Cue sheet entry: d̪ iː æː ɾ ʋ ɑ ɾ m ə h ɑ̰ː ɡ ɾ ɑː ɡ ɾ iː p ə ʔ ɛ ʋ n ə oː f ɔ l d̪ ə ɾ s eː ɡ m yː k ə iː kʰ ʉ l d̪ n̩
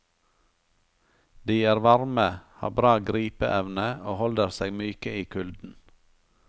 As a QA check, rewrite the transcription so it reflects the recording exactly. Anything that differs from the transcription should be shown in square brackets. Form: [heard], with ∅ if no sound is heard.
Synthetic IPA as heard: d̪ iː æː ɾ ʋ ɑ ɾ m ə h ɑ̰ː [b] ɾ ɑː ɡ ɾ iː p ə ʔ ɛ ʋ n ə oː [h] ɔ l d̪ ə ɾ s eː ɡ m yː k ə iː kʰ ʉ l d̪ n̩